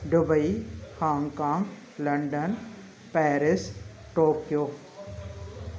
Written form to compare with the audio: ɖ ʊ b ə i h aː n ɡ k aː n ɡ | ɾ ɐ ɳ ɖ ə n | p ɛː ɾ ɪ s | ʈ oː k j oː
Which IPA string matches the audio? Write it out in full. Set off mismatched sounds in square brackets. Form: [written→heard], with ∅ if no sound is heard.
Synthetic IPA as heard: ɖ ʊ b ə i h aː [n→ŋ] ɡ k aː [n→ŋ] ɡ | [ɾ→l] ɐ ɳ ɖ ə n | p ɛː ɾ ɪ s | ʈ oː k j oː